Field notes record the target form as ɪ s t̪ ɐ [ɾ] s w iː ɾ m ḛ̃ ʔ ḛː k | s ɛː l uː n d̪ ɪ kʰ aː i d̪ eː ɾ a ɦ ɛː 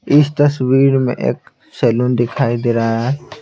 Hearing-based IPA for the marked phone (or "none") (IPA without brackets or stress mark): none